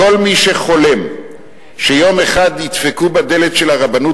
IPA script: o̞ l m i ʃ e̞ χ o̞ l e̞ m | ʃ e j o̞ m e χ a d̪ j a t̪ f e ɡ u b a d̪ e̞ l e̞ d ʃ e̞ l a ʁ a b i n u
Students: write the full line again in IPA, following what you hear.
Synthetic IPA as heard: o̞ l m i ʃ e̞ χ o̞ l e̞ m | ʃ e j o̞ m e χ a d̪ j i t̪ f e k u b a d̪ e̞ l e̞ t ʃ e̞ l a ʁ a b a n u